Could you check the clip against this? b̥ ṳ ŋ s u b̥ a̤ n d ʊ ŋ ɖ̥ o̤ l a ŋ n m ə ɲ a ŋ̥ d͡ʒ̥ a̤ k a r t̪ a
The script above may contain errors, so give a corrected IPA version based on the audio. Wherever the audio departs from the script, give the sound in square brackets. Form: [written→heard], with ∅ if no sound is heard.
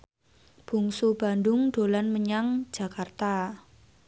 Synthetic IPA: b̥ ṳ ŋ s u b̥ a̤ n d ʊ ŋ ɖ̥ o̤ l a [ŋ→∅] n m ə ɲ a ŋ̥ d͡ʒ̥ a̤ k a r t̪ a